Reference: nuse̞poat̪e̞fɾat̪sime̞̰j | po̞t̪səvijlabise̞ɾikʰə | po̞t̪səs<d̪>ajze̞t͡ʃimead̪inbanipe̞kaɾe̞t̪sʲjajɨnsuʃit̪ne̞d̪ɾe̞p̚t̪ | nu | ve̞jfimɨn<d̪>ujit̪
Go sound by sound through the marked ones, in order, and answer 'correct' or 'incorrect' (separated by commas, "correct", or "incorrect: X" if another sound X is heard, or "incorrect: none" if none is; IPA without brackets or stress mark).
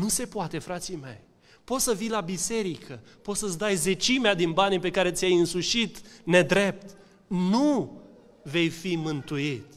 correct, incorrect: t̪